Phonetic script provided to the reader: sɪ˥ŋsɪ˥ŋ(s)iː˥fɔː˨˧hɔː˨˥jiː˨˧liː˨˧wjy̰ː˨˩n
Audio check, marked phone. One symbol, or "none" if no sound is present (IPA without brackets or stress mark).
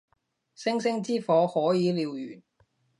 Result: t͡s